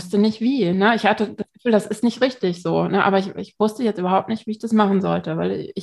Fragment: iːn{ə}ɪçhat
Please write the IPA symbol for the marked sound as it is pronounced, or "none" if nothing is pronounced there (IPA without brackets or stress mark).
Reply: ə